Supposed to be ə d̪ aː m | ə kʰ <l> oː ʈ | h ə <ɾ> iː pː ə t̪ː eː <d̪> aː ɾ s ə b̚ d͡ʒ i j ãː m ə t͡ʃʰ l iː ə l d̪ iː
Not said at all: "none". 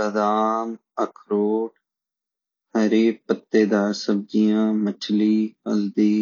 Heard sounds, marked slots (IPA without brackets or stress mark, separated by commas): ɾ, ɾ, d̪